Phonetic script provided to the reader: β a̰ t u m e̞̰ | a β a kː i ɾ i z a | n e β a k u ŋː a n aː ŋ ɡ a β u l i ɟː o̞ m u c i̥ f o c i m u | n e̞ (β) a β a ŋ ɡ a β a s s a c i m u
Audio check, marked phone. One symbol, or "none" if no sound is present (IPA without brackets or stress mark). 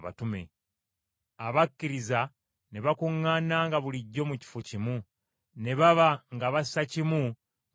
β